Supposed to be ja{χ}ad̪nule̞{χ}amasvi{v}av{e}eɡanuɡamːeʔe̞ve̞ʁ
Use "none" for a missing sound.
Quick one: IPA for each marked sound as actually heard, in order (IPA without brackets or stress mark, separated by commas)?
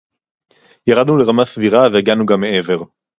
ʁ, ʁ, ʁ, e